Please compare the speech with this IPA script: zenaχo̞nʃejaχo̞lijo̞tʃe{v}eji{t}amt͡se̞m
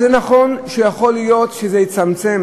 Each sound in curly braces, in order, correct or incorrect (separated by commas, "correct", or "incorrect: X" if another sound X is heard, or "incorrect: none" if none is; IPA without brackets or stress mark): incorrect: z, incorrect: t͡s